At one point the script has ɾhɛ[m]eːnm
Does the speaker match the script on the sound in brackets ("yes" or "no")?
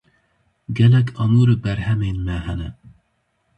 yes